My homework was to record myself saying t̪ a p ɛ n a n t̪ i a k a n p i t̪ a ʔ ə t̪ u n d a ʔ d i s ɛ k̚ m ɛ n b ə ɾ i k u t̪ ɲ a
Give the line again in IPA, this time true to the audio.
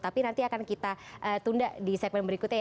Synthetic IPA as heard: t̪ a p i n a n t̪ i a k a n k i t̪ a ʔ ə t̪ u n d a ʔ d i s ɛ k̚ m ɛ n b ə ɾ i k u t̪ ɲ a